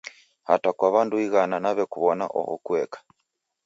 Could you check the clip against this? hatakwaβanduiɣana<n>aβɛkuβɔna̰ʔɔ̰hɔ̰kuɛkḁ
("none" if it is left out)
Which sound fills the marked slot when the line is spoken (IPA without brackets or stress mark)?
n